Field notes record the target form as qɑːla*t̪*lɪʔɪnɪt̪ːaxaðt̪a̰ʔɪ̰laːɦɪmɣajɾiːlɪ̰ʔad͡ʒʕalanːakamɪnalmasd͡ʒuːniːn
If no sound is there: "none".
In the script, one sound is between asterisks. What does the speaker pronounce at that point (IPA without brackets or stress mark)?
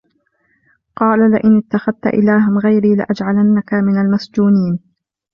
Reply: none